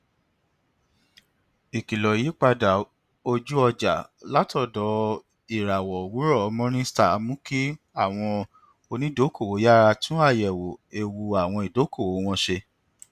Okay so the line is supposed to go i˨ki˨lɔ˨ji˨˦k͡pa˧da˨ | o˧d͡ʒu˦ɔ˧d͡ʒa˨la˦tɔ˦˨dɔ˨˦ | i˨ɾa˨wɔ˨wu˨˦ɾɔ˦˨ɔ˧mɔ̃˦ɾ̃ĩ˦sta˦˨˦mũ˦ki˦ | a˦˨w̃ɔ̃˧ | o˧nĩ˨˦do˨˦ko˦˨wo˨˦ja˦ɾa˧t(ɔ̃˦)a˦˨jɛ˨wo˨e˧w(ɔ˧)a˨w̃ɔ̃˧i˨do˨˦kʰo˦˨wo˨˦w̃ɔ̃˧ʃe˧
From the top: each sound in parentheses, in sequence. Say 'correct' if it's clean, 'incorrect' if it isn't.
incorrect: ũ˦, incorrect: u˧

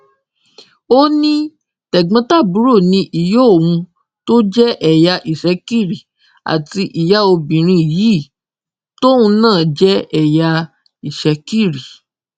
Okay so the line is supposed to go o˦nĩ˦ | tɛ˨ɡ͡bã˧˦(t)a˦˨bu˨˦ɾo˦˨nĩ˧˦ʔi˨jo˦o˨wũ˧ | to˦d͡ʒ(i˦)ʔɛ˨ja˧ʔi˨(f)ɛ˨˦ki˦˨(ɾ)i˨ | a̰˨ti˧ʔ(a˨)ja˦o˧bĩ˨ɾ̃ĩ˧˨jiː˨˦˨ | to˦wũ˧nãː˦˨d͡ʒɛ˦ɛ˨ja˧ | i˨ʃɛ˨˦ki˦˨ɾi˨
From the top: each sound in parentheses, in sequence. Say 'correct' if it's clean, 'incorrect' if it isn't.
correct, incorrect: ɛ˦, incorrect: ʃ, correct, incorrect: i˨

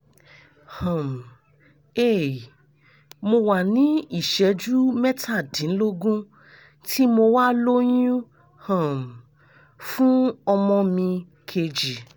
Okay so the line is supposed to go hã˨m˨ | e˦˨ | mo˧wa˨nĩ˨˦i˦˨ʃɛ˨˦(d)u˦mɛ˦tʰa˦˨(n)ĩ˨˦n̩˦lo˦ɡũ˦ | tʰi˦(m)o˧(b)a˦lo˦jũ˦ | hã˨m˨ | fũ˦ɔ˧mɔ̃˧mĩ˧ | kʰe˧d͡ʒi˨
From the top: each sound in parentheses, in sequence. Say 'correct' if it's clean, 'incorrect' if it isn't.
incorrect: d͡ʒ, incorrect: d, correct, incorrect: w

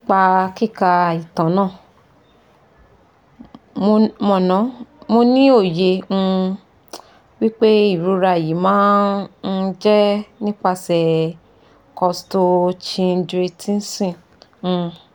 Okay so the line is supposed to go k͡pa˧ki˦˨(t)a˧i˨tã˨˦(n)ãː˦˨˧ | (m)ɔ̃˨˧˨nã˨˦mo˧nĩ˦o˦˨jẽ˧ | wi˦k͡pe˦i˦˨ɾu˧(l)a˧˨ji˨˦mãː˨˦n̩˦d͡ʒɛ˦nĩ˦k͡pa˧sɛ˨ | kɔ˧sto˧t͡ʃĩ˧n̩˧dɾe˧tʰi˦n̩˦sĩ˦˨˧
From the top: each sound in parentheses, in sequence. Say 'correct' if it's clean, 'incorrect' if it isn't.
incorrect: k, correct, correct, incorrect: ɾ

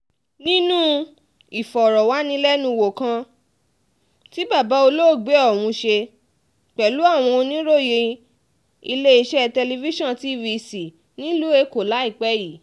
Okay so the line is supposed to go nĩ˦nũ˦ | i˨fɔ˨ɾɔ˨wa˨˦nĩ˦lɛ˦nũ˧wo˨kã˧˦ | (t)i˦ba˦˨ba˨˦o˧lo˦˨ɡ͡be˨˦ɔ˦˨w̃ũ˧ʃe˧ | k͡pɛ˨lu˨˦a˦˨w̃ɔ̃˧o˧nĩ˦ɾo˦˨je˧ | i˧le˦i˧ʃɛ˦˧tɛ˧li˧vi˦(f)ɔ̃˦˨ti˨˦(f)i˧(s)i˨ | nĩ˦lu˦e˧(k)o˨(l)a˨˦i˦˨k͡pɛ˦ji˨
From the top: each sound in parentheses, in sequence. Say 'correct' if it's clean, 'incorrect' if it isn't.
correct, incorrect: ʃ, incorrect: v, correct, correct, correct

